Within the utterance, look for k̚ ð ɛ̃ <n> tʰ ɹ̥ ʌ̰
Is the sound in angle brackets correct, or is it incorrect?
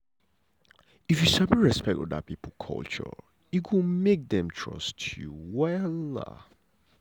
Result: incorrect